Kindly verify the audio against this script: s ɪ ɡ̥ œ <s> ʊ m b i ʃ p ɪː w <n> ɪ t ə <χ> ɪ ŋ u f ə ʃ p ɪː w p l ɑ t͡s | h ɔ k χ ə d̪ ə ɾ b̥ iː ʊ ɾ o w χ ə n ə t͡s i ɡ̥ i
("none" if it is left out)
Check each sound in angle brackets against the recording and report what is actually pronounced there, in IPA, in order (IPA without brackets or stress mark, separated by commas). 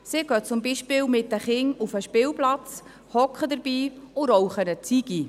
t͡s, m, χ